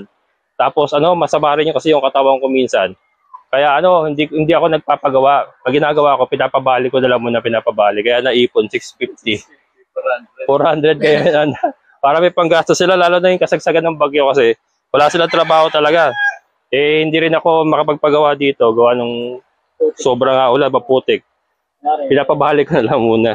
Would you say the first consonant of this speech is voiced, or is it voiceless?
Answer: voiceless